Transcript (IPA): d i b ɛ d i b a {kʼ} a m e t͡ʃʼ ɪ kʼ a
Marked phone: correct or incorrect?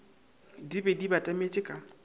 incorrect